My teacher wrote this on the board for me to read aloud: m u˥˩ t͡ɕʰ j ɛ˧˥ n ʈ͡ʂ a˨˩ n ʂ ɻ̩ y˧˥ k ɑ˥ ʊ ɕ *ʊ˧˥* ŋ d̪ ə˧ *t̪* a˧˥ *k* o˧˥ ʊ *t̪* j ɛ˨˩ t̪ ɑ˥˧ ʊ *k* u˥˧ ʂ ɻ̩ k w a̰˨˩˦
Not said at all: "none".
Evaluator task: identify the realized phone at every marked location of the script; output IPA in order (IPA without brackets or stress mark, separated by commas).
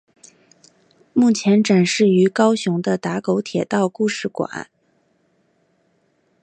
ʊ˧˥, t̪, k, t̪ʰ, k